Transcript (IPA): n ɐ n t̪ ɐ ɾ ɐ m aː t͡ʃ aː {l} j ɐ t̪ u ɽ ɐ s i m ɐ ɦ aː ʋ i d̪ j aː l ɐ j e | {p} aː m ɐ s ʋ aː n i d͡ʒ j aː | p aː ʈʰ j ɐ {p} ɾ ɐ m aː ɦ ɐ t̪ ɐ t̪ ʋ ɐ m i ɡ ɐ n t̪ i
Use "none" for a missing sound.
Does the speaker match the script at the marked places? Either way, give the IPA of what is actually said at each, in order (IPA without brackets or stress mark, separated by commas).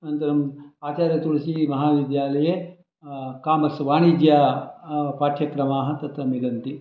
ɾ, k, k